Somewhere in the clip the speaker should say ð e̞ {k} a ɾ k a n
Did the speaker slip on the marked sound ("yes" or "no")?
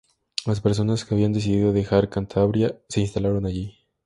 yes